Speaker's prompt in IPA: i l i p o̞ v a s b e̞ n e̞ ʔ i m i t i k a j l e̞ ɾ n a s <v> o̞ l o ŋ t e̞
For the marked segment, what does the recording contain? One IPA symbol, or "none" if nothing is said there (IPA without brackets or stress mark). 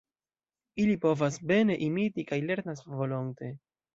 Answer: v